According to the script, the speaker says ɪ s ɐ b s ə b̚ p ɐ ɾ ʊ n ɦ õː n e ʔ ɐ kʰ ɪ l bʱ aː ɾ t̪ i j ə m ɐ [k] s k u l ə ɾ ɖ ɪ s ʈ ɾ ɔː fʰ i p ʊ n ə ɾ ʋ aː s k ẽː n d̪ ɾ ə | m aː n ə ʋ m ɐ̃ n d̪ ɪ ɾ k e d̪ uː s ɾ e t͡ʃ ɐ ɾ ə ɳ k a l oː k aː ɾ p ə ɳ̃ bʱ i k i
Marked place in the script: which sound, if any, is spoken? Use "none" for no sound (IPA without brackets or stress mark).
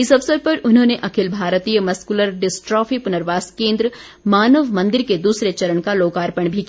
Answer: none